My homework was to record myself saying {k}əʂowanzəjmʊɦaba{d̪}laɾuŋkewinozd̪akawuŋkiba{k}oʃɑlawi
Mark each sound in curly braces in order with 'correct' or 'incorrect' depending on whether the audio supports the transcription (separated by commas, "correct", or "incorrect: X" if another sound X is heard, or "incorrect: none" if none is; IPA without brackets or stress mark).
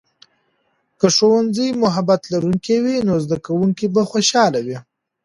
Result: correct, incorrect: t̪, incorrect: x